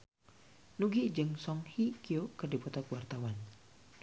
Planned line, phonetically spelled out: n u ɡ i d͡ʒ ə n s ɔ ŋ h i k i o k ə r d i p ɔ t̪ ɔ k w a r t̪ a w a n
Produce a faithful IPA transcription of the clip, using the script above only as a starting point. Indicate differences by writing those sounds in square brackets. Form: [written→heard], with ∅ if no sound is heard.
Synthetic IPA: n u ɡ i d͡ʒ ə [n→ŋ] s ɔ ŋ h i k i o k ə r d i p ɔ t̪ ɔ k w a r t̪ a w a n